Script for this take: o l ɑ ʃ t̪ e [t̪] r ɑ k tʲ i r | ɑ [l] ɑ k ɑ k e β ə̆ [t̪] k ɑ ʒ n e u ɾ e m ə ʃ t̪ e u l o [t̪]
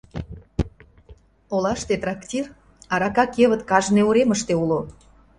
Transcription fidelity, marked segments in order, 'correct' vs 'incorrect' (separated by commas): correct, incorrect, correct, incorrect